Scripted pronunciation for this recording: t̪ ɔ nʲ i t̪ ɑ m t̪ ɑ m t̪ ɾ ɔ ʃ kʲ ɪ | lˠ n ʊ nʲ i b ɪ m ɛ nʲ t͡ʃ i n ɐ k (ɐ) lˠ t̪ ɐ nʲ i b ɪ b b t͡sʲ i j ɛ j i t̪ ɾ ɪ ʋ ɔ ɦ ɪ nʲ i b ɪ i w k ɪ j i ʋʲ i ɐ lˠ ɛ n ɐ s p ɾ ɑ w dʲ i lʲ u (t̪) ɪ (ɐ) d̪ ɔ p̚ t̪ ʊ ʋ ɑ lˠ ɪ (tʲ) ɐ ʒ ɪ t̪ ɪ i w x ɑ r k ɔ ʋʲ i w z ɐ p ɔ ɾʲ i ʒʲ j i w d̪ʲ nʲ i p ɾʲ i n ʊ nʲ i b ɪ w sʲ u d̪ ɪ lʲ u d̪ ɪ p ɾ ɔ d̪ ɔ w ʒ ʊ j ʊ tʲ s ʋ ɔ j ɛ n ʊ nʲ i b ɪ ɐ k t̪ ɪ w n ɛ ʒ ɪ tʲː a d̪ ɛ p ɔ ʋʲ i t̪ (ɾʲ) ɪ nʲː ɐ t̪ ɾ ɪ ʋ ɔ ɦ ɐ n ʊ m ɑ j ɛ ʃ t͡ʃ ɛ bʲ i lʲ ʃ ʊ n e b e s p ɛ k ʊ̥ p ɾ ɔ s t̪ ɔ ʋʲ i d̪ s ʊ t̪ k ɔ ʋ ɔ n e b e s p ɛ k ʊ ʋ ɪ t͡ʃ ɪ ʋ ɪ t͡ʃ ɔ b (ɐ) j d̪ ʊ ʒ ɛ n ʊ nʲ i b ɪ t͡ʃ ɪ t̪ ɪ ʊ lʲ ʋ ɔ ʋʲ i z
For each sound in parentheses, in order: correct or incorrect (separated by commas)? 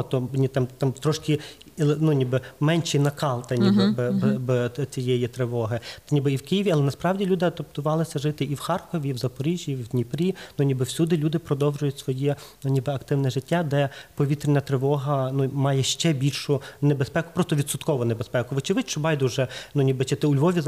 incorrect, incorrect, correct, incorrect, correct, incorrect